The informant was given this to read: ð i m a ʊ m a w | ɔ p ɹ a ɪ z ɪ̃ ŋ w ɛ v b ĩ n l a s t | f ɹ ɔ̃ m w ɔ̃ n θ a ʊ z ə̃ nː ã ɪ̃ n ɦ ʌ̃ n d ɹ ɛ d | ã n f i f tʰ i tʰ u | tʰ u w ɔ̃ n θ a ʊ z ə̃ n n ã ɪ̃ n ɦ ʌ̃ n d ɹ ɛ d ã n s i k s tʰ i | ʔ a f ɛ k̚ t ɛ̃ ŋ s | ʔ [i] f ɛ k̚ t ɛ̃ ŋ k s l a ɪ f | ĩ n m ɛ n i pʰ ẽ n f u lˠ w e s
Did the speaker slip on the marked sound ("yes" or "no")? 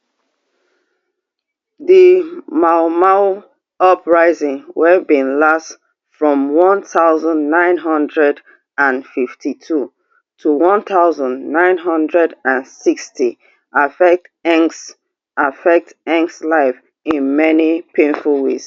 yes